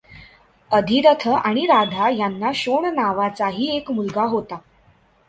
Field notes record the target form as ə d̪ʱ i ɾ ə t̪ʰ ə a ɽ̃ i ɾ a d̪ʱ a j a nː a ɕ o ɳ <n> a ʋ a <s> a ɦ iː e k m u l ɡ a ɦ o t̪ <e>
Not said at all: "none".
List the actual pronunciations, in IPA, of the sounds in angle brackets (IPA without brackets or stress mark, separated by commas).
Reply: n, t͡s, a